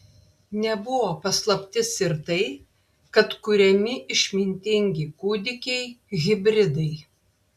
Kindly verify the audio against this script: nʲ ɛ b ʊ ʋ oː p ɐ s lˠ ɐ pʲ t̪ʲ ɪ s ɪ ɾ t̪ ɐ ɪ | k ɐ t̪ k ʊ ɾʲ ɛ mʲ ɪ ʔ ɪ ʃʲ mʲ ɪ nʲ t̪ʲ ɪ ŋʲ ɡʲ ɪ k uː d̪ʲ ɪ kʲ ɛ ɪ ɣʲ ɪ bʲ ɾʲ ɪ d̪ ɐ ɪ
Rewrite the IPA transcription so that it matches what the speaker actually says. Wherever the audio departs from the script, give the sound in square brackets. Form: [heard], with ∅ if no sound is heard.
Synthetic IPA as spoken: nʲ ɛ b ʊ ʋ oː p ɐ s lˠ ɐ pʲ t̪ʲ ɪ s ɪ ɾ t̪ ɐ ɪ | k ɐ t̪ k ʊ ɾʲ ɛ mʲ ɪ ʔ ɪ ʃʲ mʲ ɪ nʲ t̪ʲ ɪ ŋʲ ɡʲ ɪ k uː d̪ʲ ɪ kʲ ɛ ɪ ɣʲ ɪ bʲ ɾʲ ɪ d̪ ɐ ɪ